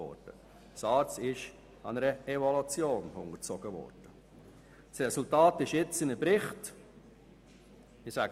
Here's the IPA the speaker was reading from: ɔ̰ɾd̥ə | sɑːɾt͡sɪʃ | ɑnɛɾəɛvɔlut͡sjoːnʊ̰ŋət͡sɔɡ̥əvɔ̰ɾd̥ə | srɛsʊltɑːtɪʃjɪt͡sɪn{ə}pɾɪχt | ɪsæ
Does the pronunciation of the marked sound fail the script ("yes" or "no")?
no